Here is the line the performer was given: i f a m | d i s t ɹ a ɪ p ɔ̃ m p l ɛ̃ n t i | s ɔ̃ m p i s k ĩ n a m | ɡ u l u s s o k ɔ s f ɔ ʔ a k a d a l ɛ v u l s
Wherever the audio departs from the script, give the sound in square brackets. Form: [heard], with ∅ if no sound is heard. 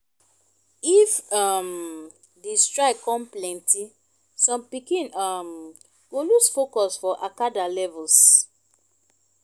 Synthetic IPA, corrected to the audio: i f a m | d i s t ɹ a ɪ [k] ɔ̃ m p l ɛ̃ n t i | s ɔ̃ m p i [∅] k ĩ n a m | ɡ [o] l u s [f] o k ɔ s f ɔ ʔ a k a d a l ɛ v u l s